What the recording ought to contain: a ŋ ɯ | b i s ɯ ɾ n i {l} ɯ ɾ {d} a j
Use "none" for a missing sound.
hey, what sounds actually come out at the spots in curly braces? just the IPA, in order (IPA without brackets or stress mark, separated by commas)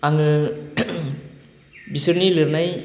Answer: l, n